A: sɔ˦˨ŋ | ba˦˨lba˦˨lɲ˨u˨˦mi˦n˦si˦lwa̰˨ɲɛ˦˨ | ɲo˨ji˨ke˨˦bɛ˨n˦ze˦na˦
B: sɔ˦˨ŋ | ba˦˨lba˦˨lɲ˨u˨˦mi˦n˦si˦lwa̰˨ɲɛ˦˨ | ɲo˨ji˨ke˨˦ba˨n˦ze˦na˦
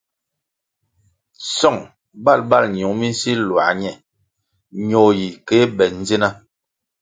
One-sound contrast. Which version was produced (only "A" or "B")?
A